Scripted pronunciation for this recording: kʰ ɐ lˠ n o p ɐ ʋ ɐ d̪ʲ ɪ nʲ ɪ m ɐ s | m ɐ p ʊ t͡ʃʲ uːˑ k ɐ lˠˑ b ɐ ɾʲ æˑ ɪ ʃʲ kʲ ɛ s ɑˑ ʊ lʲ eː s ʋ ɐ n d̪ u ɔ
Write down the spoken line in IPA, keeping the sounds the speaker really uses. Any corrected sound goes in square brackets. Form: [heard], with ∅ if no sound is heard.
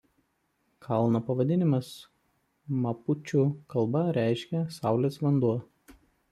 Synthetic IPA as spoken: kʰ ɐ lˠ n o p ɐ ʋ ɐ d̪ʲ ɪ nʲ ɪ m ɐ s | m ɐ p ʊ t͡ʃʲ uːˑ k ɐ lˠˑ b ɐ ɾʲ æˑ ɪ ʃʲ kʲ ɛ s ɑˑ ʊ lʲ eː s ʋ ɐ n d̪ u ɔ